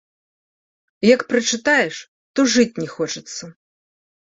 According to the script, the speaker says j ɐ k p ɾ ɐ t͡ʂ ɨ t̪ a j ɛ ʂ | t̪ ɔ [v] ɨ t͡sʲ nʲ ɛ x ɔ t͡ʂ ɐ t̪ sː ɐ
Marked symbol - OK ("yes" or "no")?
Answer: no